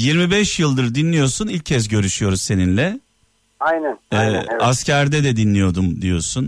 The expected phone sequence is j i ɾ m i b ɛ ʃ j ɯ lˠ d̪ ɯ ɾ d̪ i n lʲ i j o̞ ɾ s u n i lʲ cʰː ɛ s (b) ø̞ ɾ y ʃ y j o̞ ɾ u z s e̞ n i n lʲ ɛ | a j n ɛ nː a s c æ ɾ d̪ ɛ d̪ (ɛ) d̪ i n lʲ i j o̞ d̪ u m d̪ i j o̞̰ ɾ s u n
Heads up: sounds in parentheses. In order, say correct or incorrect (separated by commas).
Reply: incorrect, correct